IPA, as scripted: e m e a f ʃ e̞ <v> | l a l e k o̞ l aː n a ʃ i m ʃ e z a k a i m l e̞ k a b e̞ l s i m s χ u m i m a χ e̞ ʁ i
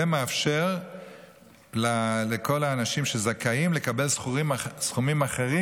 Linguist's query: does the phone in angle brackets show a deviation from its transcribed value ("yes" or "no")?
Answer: yes